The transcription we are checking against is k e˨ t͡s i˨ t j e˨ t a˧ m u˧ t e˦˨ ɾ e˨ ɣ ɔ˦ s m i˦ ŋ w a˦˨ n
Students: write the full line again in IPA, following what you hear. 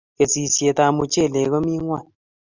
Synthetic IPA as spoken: k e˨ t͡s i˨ s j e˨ t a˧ m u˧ t͡ʃ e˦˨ l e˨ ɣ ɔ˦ m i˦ ŋ w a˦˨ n